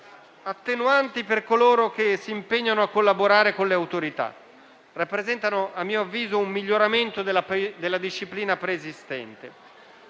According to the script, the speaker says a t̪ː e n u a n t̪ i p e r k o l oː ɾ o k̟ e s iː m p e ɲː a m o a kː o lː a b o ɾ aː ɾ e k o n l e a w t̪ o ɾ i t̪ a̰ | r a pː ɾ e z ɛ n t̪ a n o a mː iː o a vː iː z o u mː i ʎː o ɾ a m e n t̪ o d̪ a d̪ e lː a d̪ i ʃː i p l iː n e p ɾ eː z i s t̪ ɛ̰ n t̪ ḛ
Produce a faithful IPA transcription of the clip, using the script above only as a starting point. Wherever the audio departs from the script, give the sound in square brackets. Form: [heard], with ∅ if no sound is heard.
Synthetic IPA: a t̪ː e n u a n t̪ i p e r k o l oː ɾ o k̟ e s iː m p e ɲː a [n] o a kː o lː a b o ɾ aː ɾ e k o n l e a w t̪ o ɾ i t̪ a̰ | r a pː ɾ e z ɛ n t̪ a n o a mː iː o a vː iː z o u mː i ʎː o ɾ a m e n t̪ o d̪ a d̪ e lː a d̪ i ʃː i p l iː n [a] p ɾ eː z i s t̪ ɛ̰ n t̪ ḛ